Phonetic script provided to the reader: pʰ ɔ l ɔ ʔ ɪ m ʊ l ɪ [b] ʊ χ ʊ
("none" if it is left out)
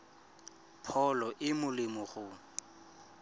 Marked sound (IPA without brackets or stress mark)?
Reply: m